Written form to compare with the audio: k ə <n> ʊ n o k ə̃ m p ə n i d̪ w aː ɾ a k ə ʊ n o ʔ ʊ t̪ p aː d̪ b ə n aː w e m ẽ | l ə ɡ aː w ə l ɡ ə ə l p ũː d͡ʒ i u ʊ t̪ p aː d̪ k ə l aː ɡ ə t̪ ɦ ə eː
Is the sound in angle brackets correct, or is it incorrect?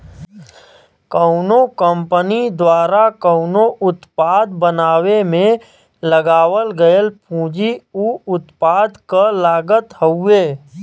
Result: incorrect